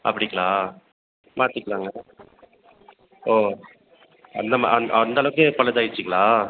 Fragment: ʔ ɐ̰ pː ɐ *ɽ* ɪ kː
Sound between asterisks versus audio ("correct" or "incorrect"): correct